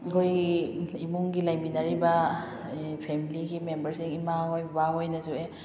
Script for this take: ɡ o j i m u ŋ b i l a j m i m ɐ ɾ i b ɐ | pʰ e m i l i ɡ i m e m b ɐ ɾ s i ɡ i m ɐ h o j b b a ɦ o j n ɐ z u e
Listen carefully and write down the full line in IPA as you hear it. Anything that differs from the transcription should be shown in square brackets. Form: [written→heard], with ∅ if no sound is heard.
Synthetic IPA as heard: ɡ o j i m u ŋ [b→ɡ] i l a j m i [m→n] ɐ ɾ i b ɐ | pʰ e m i l i ɡ i m e m b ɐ ɾ s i [ɡ→ŋ] i m [ɐ→a] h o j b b a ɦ o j n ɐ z u e